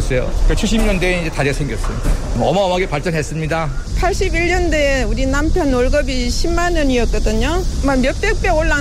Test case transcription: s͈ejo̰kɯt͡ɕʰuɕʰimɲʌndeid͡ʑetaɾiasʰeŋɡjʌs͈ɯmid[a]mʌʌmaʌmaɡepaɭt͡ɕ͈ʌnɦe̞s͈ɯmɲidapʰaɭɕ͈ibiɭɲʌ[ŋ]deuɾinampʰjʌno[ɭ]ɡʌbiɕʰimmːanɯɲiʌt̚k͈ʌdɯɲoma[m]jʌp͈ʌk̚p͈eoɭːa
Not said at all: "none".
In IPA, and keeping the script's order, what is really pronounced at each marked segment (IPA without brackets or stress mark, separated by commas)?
a, n, ɭ, m